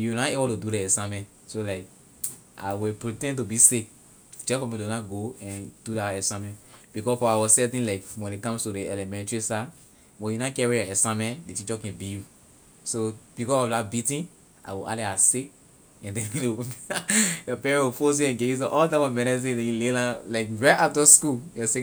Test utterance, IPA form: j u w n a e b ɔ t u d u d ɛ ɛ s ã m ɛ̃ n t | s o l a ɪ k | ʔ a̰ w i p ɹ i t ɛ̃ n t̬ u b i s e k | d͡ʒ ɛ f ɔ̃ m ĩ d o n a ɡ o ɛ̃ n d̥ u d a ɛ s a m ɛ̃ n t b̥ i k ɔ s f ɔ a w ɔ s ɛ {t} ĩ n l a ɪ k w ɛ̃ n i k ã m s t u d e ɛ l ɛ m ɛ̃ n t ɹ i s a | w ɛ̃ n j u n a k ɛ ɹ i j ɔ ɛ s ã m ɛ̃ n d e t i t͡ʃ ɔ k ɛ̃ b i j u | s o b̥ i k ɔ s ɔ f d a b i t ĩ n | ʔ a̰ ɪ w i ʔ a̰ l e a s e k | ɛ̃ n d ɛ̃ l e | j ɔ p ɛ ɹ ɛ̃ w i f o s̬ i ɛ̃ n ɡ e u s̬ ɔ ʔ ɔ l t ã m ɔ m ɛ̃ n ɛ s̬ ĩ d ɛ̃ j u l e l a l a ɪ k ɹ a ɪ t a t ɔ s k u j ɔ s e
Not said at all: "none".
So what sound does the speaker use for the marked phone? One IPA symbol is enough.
t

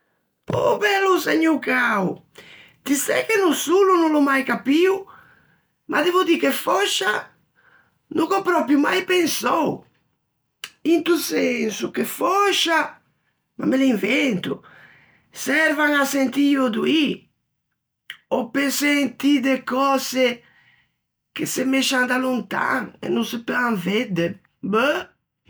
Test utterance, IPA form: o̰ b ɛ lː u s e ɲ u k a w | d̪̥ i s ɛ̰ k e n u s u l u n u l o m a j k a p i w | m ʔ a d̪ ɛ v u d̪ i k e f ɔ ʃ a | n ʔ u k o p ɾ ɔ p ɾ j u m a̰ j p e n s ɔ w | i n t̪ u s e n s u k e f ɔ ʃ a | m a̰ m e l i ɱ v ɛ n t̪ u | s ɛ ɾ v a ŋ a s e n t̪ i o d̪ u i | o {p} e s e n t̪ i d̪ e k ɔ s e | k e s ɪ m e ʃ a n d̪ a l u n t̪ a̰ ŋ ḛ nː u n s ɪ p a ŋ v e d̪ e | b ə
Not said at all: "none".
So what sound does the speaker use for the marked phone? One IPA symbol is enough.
p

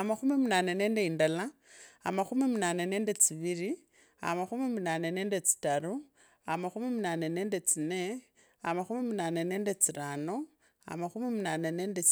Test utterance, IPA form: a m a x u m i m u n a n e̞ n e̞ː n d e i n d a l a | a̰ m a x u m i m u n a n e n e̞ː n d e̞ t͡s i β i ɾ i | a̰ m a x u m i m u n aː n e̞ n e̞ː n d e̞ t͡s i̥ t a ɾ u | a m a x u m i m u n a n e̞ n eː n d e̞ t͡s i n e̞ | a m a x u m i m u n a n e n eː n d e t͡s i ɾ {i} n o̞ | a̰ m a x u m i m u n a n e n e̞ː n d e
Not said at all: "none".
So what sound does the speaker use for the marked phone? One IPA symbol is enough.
a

